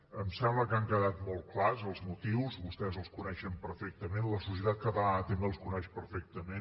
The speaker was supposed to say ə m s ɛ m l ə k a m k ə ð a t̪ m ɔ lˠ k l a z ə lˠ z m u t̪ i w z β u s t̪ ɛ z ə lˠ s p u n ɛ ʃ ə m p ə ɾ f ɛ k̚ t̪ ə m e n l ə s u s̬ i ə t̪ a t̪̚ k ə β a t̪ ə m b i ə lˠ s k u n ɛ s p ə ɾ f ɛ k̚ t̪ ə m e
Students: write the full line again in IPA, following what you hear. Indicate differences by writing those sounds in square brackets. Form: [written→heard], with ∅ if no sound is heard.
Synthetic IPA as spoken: ə m s ɛ m l ə k a [m→ŋ] k ə ð a t̪ m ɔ lˠ k l a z ə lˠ z m u t̪ i w z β u s t̪ ɛ z ə lˠ s [p→k] u n ɛ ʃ ə m p ə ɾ f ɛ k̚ t̪ ə m e n l ə s u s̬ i ə t̪ a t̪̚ k ə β a t̪ ə m b [i→e] ə lˠ s k u n ɛ [s→ʃ] p ə ɾ f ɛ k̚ t̪ ə m e